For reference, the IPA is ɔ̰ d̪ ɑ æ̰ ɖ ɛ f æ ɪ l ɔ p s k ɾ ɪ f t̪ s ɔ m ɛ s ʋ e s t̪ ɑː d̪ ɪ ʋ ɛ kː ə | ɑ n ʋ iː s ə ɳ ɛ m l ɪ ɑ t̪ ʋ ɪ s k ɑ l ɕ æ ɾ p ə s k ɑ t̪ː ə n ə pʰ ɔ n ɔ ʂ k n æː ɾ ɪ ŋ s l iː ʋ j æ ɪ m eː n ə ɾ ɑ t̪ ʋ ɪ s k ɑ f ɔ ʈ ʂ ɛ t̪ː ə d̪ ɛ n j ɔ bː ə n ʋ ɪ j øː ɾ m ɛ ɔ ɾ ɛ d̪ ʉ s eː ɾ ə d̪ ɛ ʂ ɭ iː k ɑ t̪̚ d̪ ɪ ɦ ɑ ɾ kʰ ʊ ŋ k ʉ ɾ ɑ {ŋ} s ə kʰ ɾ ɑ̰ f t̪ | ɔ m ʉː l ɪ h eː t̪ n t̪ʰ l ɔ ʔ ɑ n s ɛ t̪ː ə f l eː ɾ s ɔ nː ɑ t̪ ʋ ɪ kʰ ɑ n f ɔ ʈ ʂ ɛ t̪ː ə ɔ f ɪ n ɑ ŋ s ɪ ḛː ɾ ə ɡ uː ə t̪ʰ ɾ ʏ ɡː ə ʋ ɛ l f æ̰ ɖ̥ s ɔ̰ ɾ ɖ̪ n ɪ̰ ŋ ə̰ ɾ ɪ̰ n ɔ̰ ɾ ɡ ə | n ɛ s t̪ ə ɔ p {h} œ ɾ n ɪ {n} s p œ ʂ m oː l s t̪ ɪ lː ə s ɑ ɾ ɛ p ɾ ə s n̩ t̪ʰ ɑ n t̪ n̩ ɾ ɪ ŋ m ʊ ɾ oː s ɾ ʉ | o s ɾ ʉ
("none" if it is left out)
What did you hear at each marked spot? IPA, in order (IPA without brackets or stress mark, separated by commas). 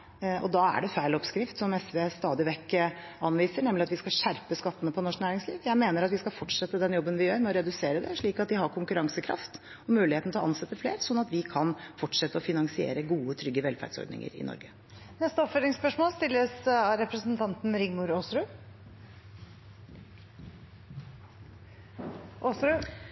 ŋ, f, ŋ